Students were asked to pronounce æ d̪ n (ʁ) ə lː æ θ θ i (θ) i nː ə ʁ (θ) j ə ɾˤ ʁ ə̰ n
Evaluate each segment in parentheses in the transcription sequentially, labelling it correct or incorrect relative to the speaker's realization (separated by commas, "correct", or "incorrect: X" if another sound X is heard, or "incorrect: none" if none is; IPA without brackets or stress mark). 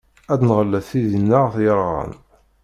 correct, incorrect: ð, correct